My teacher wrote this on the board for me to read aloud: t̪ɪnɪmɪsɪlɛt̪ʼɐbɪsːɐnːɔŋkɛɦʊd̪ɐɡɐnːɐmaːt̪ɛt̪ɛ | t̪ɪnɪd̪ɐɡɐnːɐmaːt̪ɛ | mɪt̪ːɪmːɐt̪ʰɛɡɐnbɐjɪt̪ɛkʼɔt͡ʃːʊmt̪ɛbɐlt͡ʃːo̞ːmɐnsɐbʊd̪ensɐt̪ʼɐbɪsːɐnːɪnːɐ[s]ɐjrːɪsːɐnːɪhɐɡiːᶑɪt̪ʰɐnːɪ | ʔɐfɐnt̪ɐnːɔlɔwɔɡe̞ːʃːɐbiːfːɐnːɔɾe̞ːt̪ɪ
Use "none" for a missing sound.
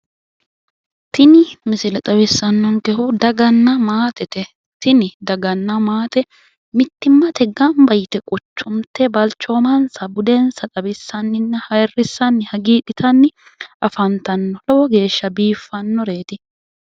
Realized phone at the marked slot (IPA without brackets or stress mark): h